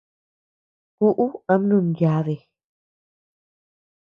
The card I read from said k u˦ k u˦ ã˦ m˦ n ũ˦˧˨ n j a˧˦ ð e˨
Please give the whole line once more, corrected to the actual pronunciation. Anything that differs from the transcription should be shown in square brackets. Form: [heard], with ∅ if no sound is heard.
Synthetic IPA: k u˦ [ʔ] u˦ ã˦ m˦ n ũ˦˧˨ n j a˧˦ ð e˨